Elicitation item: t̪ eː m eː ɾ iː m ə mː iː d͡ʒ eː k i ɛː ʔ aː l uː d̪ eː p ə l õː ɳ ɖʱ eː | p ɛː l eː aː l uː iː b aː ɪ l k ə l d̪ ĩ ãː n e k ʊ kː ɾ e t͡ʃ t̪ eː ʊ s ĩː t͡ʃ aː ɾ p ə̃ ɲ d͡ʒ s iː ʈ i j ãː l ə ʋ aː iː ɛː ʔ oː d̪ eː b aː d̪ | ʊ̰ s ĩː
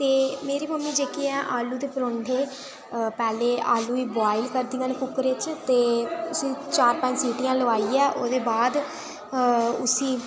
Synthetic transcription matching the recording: t̪ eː m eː ɾ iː m ə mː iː d͡ʒ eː k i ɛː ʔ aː l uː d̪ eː p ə ɾ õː ɳ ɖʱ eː | p ɛː l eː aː l uː iː b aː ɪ l k ə ɾ d̪ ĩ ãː n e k ʊ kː ɾ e t͡ʃ t̪ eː ʊ s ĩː t͡ʃ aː ɾ p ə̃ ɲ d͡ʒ s iː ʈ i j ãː l ə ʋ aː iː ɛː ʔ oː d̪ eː b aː d̪ | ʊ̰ s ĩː